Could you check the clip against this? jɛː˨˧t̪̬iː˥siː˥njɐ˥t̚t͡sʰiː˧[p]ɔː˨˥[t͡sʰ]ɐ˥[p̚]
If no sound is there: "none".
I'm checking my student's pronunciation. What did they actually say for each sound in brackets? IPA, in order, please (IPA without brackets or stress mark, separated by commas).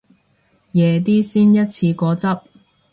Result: k, t͡s, p̚